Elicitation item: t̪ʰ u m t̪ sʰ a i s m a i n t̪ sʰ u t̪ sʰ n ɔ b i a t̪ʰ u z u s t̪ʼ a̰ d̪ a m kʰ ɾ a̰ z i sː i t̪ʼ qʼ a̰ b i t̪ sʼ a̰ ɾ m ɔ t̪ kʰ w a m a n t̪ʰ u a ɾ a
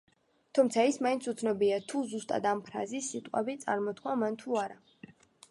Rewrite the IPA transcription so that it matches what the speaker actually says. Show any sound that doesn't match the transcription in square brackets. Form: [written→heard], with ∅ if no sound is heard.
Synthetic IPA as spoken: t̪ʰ u m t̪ sʰ a i s m a i n t̪ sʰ u t̪ sʰ n ɔ b i a t̪ʰ u z u s t̪ʼ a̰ d̪ a m [kʰ→pʰ] ɾ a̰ z i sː i t̪ʼ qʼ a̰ b i t̪ sʼ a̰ ɾ m ɔ t̪ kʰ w a m a n t̪ʰ u a ɾ a